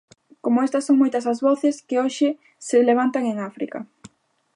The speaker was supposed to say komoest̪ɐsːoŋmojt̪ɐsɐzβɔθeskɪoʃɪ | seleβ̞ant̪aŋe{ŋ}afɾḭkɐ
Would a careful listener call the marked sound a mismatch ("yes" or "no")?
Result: no